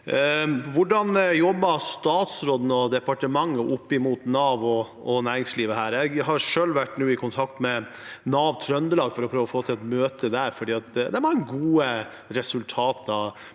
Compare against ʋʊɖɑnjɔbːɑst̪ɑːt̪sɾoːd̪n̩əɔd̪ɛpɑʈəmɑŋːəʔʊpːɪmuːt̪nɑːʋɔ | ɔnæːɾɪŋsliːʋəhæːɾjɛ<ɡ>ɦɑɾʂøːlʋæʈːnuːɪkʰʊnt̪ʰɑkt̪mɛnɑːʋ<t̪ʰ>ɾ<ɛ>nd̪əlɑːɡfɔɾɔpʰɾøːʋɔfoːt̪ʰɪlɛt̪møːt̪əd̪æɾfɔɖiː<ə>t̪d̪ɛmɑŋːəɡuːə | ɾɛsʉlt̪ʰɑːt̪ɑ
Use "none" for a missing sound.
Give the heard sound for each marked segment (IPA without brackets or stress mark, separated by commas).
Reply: ɡ, t̪ʰ, œ, ɑ